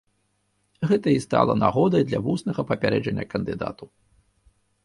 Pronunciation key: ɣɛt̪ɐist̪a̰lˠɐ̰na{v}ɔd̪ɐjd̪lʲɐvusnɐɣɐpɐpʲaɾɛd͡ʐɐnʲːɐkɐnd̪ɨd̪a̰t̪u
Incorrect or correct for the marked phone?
incorrect: ɣ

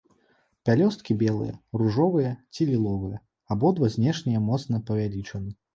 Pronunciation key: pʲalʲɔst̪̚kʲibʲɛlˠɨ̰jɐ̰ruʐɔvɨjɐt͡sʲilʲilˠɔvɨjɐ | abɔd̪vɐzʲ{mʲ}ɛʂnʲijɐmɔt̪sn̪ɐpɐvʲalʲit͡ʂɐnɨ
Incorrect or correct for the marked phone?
incorrect: nʲ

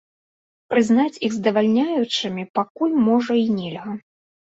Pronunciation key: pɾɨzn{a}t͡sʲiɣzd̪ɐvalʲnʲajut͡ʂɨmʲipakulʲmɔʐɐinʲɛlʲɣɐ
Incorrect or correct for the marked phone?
correct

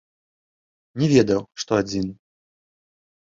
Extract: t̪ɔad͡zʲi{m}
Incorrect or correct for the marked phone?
incorrect: n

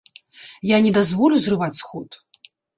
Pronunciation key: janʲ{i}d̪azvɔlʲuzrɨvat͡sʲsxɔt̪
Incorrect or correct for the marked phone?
incorrect: ɛ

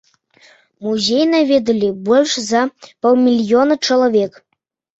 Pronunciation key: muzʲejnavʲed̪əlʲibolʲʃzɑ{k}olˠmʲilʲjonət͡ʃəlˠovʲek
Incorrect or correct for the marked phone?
incorrect: p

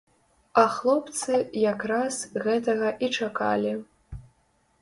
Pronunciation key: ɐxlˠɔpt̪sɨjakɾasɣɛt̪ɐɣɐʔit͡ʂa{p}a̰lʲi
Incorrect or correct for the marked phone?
incorrect: k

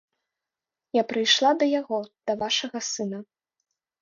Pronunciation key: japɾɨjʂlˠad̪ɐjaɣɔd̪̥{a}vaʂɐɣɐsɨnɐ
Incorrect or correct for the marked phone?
incorrect: ɐ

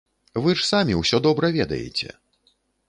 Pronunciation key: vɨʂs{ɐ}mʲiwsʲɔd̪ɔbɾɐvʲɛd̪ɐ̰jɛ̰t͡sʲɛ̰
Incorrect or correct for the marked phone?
incorrect: a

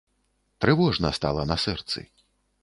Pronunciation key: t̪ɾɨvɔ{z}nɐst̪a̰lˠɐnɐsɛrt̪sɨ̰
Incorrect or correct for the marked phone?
incorrect: ʐ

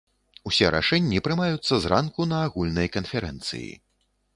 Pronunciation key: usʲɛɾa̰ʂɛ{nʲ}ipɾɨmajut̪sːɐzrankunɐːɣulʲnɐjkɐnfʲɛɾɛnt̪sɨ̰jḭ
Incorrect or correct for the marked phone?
incorrect: nʲː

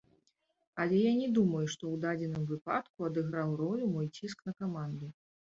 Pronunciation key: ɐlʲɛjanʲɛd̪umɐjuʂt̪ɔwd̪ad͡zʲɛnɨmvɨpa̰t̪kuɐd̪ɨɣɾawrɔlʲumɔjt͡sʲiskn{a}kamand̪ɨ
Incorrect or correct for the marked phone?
incorrect: ɐ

